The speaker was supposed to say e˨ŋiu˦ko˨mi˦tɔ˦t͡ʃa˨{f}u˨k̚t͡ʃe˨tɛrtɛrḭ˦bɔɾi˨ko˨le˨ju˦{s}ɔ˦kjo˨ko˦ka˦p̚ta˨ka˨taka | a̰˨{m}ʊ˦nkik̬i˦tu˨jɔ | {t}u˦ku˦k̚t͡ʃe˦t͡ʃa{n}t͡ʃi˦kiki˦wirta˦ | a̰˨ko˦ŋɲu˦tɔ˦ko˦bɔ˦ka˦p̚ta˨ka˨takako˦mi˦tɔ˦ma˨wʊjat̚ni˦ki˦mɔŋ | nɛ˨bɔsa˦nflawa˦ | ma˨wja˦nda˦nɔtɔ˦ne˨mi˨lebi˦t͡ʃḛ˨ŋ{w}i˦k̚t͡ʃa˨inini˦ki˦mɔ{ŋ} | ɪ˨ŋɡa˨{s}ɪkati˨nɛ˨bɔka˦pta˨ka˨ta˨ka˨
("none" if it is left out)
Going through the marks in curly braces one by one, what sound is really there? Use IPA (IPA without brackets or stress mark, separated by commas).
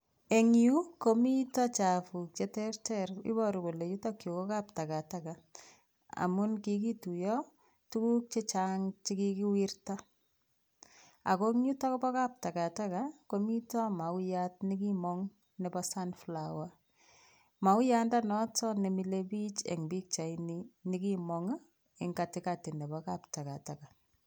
f, t, m, t, ŋ, b, ŋ, t